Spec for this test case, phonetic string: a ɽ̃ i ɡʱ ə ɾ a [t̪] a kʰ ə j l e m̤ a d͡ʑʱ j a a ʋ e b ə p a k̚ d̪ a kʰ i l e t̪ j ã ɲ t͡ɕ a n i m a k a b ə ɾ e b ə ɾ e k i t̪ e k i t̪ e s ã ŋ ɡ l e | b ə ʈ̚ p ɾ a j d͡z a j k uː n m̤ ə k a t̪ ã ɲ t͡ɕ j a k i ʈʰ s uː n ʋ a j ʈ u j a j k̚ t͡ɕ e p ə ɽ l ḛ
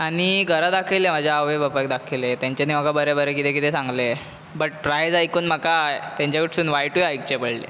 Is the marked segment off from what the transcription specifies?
yes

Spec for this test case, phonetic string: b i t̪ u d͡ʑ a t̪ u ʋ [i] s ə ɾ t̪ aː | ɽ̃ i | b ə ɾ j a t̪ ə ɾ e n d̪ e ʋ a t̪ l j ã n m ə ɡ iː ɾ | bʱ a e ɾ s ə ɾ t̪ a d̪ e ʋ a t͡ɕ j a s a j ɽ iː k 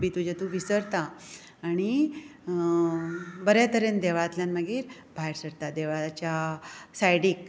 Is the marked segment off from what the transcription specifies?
no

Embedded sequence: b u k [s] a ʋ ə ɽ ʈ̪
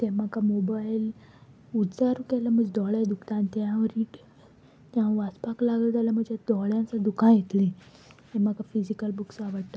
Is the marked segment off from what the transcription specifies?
no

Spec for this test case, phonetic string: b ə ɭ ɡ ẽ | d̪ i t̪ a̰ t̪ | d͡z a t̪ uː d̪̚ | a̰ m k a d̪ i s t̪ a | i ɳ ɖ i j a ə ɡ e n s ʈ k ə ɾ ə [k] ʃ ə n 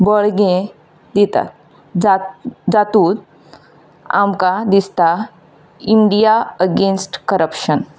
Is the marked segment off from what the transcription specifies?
yes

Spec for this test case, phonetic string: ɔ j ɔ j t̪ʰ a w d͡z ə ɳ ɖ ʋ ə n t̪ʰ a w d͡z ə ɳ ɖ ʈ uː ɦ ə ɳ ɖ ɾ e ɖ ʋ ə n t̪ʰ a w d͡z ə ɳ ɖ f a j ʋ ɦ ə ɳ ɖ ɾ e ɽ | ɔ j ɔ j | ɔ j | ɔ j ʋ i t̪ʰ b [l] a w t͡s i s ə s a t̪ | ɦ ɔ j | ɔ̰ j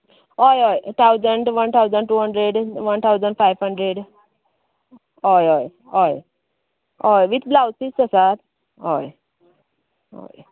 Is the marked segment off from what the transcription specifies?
no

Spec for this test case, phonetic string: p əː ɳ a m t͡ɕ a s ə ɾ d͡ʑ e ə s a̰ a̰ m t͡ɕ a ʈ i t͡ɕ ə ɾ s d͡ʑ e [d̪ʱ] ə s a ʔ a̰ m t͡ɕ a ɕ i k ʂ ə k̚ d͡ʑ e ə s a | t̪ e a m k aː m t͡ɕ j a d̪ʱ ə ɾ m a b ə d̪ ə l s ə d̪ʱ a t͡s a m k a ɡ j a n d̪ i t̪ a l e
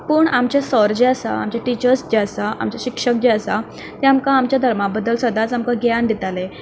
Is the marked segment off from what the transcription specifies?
yes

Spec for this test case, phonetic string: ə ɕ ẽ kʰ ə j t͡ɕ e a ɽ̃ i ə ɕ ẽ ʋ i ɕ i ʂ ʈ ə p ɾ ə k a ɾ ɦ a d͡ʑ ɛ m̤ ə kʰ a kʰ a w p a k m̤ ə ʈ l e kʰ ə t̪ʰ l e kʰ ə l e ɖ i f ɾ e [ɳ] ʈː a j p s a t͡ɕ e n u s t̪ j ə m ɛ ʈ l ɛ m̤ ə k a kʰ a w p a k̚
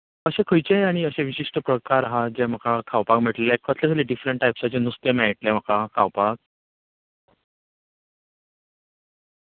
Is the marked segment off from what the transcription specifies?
no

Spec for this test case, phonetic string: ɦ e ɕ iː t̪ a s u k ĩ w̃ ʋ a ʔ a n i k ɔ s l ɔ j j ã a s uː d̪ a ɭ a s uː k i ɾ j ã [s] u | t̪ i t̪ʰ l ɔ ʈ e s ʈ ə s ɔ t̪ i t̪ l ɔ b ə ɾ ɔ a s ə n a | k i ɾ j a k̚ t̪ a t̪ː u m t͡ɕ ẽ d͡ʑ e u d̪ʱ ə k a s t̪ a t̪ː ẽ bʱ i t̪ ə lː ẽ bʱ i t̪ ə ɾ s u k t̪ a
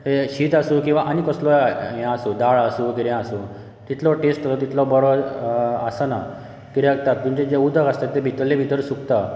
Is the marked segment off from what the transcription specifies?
no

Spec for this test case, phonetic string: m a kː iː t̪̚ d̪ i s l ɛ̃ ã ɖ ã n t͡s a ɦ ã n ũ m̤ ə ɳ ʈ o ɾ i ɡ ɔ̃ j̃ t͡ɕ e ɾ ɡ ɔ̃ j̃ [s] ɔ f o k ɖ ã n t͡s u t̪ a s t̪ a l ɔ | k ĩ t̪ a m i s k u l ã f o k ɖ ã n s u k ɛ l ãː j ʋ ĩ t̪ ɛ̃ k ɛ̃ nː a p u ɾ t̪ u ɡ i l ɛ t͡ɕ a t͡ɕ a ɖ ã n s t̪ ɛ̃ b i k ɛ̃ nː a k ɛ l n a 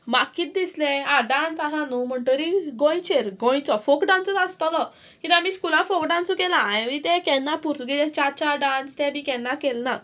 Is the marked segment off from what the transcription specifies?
yes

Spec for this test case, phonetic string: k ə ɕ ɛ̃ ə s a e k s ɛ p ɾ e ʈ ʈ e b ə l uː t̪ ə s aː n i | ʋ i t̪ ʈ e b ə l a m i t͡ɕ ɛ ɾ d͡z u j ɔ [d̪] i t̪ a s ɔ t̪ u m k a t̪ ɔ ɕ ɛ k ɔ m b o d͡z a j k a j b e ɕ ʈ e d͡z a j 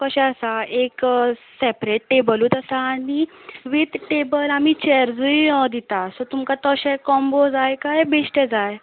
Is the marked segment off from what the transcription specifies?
no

